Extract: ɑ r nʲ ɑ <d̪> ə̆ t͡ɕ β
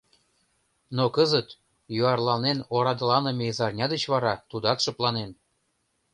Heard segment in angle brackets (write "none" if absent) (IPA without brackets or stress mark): d̪